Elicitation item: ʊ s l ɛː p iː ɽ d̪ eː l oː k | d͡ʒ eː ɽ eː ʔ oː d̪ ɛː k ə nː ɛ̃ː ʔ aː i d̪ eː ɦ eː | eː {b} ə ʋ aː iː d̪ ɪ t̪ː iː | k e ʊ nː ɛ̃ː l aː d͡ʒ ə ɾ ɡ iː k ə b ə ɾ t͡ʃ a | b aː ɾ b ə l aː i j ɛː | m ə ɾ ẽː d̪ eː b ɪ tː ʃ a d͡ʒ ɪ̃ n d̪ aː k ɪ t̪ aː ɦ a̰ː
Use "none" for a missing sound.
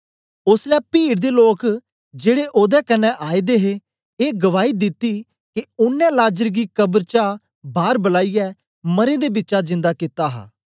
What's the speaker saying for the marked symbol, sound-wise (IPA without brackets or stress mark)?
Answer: ɡ